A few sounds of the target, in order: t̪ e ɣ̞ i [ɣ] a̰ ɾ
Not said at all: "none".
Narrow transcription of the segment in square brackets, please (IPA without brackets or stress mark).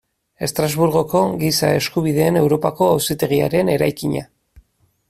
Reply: none